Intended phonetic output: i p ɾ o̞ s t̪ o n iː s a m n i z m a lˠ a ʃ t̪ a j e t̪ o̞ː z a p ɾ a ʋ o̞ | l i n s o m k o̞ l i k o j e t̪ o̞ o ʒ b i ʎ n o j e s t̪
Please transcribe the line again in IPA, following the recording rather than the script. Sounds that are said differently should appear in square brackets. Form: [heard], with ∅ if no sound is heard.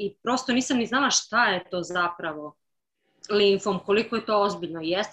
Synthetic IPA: i p ɾ o̞ s t̪ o n iː s a m n i z [n] a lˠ a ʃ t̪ a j e t̪ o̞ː z a p ɾ a ʋ o̞ | l i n [f] o m k o̞ l i k o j e t̪ o̞ o [z] b i ʎ n o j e s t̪